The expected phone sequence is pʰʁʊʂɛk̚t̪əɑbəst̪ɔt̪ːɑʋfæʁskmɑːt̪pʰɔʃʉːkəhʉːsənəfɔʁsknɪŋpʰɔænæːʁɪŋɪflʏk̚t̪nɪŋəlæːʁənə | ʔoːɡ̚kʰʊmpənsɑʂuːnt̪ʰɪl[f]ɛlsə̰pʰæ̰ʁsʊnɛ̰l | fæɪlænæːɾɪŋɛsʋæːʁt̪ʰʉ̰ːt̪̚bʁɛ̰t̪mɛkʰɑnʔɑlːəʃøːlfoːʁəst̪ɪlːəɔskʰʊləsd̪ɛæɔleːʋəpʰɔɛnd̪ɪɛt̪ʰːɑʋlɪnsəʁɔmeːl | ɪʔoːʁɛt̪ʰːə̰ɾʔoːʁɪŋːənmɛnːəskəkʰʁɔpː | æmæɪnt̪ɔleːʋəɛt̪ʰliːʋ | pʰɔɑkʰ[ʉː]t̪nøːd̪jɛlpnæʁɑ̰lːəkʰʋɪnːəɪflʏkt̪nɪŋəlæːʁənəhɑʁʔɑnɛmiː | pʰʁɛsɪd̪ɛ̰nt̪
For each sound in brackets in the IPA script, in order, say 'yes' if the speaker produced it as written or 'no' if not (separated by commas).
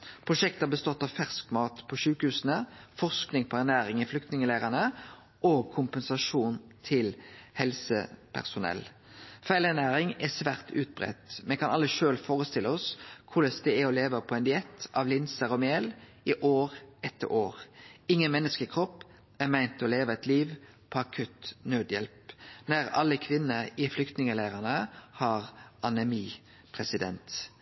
no, no